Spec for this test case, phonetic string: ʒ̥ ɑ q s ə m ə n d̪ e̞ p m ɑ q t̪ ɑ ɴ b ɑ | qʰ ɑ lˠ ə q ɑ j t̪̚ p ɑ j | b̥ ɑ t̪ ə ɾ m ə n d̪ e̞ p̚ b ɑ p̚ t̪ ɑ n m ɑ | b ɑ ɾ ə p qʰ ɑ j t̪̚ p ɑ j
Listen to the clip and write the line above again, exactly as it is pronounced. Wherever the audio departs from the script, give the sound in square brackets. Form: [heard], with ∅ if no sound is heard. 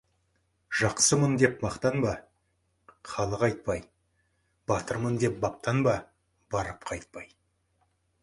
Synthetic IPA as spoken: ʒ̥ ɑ q s ə m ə n d̪ e̞ p m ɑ q t̪ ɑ [n] b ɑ | qʰ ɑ lˠ ə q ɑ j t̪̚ p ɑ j | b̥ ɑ t̪ ə ɾ m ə n d̪ e̞ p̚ b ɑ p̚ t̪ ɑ n [b] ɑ | b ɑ ɾ ə p qʰ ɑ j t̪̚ p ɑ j